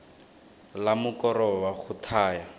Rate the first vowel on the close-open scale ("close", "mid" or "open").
open